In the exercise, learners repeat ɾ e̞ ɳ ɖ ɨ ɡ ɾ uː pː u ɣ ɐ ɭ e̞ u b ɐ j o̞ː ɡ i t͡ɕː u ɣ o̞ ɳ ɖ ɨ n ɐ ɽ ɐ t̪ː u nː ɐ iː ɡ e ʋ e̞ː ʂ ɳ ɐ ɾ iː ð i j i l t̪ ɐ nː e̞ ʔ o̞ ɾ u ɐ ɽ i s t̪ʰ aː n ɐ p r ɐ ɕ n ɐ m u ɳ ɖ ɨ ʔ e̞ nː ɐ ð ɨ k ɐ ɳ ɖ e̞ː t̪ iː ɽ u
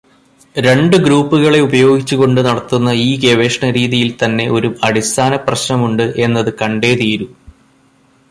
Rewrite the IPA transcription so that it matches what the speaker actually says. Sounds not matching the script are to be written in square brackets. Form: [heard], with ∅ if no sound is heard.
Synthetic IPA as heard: ɾ e̞ ɳ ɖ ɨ ɡ ɾ uː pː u ɣ ɐ ɭ e̞ u b ɐ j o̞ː ɡ i t͡ɕː u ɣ o̞ ɳ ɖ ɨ n ɐ ɽ ɐ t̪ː u nː ɐ iː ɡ e ʋ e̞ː ʂ ɳ ɐ ɾ iː ð i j i l t̪ ɐ nː e̞ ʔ o̞ ɾ u ɐ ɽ i s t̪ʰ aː n ɐ p r ɐ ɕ n ɐ m u ɳ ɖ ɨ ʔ e̞ nː ɐ ð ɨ k ɐ ɳ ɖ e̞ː t̪ iː [ɾ] u

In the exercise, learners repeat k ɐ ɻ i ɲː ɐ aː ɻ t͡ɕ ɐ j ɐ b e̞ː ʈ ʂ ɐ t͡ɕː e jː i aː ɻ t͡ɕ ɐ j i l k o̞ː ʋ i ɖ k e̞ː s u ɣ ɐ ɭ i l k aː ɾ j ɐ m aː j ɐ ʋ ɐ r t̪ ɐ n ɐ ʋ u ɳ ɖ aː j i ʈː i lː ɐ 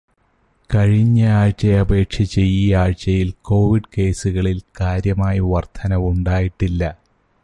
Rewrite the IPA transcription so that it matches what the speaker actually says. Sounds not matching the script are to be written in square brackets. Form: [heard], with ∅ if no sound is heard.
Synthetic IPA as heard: k ɐ ɻ i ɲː ɐ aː ɻ t͡ɕ ɐ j ɐ b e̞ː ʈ ʂ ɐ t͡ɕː e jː i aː ɻ t͡ɕ ɐ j i l k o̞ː ʋ i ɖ k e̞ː s u ɣ ɐ ɭ i l k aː ɾ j ɐ m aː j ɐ ʋ ɐ r [t̪ʰ] ɐ n ɐ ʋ u ɳ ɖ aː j i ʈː i lː ɐ

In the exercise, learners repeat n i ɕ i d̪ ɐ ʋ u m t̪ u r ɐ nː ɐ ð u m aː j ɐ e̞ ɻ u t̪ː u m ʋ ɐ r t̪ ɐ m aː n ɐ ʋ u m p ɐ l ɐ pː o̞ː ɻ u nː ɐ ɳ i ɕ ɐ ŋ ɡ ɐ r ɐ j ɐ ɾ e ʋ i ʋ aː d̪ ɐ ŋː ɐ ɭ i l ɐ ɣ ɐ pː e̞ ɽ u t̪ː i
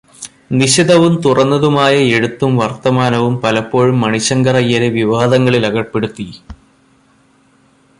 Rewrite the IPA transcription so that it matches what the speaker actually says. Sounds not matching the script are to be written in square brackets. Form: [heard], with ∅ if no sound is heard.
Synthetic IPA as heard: n i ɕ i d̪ ɐ ʋ u m t̪ u r ɐ nː ɐ ð u m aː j ɐ e̞ ɻ u t̪ː u m ʋ ɐ r t̪ ɐ m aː n ɐ ʋ u m p ɐ l ɐ pː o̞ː ɻ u [mː] ɐ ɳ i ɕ ɐ ŋ ɡ ɐ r ɐ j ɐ ɾ e ʋ i ʋ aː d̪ ɐ ŋː ɐ ɭ i l ɐ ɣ ɐ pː e̞ ɽ u t̪ː i

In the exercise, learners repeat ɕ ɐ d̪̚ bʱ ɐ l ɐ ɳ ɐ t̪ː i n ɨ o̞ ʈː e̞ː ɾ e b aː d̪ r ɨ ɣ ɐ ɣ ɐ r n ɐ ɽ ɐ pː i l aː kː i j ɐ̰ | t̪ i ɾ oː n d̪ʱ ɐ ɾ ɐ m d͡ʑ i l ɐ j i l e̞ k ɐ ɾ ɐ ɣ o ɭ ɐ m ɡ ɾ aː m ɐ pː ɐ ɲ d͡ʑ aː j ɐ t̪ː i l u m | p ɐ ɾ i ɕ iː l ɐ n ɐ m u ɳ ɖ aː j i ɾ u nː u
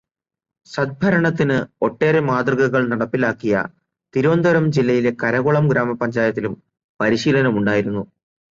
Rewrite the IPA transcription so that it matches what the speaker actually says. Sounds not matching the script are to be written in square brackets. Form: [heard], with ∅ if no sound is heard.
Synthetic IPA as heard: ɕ ɐ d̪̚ bʱ ɐ [ɾ] ɐ ɳ ɐ t̪ː i n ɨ o̞ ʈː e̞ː ɾ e [m] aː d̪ r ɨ ɣ ɐ ɣ ɐ [ɭ] n ɐ ɽ ɐ pː i l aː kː i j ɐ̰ | t̪ i ɾ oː n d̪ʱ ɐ ɾ ɐ m d͡ʑ i [lː] ɐ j i l e̞ k ɐ ɾ ɐ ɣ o ɭ ɐ m ɡ ɾ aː m ɐ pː ɐ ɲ d͡ʑ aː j ɐ t̪ː i l u m | p ɐ ɾ i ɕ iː l ɐ n ɐ m u ɳ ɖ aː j i ɾ u nː u

